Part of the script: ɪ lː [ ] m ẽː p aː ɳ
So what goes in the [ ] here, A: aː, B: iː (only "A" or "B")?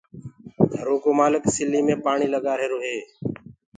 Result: B